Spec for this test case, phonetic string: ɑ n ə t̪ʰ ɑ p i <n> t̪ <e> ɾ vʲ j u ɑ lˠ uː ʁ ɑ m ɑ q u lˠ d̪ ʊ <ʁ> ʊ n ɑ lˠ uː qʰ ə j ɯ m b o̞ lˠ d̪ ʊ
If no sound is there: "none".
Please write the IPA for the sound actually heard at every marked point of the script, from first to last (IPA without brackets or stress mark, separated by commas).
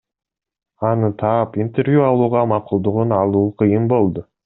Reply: n, e, ʁ